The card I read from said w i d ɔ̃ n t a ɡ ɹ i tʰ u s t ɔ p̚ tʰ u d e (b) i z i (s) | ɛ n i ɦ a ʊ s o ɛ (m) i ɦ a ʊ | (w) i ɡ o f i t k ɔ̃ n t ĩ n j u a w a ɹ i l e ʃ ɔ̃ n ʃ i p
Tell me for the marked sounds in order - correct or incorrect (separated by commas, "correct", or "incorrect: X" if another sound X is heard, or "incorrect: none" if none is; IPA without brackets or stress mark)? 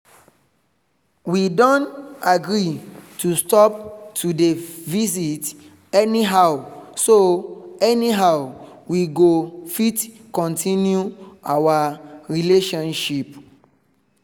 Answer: incorrect: v, incorrect: t, incorrect: n, correct